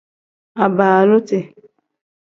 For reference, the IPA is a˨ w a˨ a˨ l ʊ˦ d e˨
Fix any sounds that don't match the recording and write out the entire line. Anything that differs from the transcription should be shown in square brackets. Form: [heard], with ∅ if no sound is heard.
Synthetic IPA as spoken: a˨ [b] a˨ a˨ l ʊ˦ [t] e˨